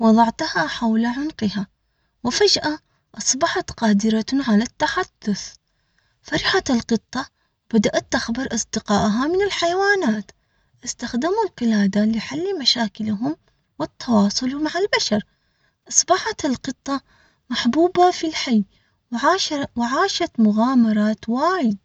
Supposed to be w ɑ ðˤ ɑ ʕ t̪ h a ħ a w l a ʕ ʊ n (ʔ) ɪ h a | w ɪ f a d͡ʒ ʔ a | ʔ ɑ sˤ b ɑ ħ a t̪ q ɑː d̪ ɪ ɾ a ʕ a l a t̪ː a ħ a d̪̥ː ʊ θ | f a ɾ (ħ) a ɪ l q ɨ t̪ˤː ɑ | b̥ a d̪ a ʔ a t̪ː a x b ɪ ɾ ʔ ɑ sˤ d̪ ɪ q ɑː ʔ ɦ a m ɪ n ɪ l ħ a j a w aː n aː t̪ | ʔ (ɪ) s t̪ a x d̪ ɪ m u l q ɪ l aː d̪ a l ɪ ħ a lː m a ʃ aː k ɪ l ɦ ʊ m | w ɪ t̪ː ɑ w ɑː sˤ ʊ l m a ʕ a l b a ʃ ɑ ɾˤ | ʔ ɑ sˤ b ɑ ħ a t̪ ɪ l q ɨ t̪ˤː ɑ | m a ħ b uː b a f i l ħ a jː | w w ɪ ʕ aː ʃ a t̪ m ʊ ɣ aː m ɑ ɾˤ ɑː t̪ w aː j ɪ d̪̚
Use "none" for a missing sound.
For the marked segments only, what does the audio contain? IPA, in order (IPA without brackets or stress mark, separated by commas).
q, ħ, ɪ